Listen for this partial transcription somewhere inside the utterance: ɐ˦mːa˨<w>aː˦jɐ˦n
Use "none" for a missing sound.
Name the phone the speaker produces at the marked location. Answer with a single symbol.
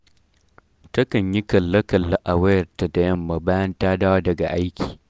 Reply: b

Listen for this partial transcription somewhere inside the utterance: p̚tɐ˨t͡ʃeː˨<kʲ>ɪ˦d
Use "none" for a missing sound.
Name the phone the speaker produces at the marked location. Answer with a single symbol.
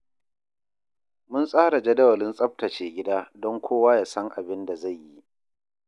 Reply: ɡʲ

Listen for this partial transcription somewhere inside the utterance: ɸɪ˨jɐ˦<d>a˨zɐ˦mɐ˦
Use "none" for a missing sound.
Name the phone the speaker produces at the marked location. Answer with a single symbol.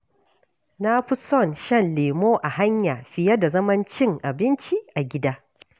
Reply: d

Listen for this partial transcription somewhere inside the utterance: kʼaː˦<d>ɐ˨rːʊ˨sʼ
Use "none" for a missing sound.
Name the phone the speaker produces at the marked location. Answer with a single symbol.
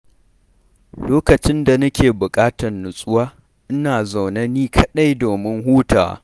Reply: t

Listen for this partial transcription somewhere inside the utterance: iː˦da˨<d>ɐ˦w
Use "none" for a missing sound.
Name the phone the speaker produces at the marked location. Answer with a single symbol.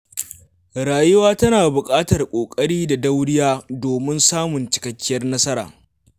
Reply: d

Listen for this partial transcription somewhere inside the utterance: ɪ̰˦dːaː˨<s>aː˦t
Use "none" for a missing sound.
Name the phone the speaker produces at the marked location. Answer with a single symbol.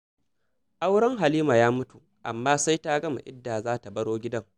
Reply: z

